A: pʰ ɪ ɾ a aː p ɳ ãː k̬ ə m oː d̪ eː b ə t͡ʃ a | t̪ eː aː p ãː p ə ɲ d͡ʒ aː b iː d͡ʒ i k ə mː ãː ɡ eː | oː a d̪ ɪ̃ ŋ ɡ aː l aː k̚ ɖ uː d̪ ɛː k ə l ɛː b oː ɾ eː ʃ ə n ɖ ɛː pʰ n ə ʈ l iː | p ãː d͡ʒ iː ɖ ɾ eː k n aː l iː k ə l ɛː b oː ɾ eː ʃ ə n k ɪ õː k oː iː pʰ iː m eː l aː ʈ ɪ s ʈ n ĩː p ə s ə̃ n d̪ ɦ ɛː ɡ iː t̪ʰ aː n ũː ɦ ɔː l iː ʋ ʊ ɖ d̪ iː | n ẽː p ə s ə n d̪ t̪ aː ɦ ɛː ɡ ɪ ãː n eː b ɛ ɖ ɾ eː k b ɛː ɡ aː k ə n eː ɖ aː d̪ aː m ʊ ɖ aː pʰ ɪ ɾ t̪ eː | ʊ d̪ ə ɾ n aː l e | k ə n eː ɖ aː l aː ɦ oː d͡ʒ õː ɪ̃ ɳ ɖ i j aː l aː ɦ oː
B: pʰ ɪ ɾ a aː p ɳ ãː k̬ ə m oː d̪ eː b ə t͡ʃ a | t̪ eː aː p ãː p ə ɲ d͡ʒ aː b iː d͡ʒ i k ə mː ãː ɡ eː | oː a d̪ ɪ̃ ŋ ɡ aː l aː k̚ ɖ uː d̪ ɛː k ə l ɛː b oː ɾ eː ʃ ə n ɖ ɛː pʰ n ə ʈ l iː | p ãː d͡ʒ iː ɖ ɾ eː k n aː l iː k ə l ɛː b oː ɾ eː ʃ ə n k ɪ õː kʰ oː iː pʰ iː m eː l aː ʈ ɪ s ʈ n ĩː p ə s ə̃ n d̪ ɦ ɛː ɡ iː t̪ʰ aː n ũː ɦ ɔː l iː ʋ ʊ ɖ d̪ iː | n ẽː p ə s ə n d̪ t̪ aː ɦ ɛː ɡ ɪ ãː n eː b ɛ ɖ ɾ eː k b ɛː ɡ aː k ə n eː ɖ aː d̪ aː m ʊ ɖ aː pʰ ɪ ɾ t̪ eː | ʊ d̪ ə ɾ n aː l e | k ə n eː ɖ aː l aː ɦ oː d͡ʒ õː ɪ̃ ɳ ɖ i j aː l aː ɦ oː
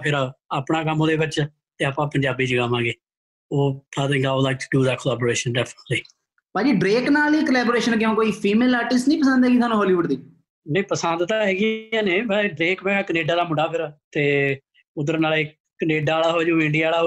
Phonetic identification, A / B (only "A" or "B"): A